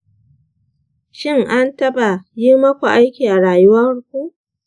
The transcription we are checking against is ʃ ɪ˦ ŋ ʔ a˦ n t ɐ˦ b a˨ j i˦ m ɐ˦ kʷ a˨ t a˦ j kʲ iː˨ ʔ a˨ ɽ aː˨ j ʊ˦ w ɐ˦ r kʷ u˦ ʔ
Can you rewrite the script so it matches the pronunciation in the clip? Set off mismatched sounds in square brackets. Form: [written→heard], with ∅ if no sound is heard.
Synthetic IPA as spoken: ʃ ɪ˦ ŋ ʔ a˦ n t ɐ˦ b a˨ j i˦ m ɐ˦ kʷ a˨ [t→ʔ] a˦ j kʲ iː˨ ʔ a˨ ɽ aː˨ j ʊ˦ w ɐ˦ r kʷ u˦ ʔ